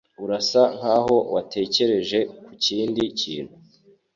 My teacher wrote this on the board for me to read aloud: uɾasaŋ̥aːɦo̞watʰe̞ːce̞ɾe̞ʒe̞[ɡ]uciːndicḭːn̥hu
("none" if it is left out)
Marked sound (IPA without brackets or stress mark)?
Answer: k